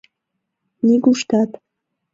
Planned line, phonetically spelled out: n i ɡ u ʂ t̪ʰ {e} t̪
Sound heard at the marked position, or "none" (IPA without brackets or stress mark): a